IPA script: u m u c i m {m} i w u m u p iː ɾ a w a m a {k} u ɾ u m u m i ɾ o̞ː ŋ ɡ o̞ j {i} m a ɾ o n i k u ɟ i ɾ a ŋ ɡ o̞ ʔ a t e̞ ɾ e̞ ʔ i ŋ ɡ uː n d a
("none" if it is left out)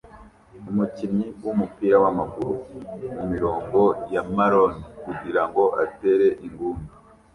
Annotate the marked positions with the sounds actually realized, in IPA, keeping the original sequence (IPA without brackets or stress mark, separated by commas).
ɲ, ɡ, a